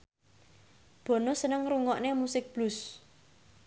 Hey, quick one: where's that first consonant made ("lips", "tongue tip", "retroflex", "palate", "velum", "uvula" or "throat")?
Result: lips